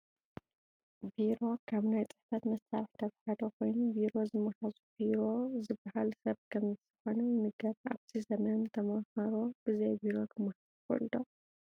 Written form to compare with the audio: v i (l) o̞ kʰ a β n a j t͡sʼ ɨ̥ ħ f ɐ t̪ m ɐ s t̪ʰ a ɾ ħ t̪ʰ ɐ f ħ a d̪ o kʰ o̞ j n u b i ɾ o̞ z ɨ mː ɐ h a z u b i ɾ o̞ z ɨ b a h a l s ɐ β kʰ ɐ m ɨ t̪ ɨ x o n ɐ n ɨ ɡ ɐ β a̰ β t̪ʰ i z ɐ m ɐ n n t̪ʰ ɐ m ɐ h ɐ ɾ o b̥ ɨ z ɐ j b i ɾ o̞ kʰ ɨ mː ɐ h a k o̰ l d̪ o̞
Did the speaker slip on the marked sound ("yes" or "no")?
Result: yes